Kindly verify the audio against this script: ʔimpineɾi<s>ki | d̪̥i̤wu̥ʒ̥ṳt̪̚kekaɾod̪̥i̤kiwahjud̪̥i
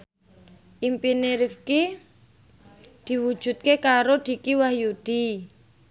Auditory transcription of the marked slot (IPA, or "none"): f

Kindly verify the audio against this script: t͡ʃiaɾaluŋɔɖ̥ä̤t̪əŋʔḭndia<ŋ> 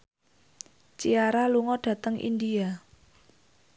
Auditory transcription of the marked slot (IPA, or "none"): none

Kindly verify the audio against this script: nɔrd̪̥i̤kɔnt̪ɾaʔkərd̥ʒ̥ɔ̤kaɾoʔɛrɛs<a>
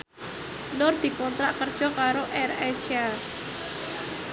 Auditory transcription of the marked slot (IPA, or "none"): a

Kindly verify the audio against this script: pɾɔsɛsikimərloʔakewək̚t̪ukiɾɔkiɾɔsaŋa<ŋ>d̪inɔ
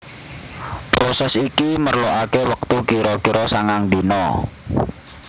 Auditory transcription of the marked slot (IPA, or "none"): ŋ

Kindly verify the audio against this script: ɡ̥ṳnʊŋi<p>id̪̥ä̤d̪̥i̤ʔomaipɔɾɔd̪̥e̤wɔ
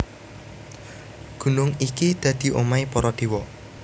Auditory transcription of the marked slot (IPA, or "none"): k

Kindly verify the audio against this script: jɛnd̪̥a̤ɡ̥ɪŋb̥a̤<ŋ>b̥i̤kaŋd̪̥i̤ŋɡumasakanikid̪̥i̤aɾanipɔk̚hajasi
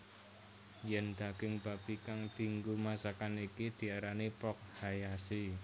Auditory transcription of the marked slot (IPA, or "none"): none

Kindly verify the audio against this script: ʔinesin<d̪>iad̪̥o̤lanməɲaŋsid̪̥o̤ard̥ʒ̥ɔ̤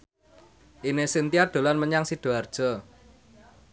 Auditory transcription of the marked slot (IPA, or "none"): t̪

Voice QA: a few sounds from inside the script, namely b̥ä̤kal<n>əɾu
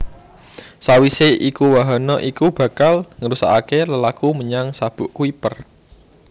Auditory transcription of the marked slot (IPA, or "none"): ŋ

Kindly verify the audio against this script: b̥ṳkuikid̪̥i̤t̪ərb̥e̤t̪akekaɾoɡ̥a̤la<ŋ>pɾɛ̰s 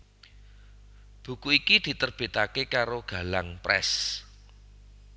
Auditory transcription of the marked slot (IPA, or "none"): ŋ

